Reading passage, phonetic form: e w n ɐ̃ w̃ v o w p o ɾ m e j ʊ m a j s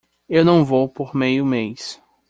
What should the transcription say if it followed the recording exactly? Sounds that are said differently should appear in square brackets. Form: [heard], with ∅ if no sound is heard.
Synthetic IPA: e w n ɐ̃ w̃ v o w p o ɾ m e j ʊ m [e] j s